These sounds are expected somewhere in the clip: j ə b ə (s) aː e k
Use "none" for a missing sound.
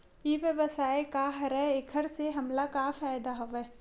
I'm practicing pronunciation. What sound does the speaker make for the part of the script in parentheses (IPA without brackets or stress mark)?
s